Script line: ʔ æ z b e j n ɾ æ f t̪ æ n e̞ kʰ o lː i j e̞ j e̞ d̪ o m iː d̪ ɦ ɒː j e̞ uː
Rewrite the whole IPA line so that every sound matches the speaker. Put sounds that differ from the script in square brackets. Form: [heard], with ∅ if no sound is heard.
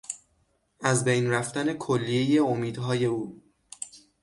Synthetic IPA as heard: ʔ æ z b e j n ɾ æ f t̪ æ n e̞ kʰ o lː i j e̞ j e̞ [∅] o m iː d̪ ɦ ɒː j e̞ uː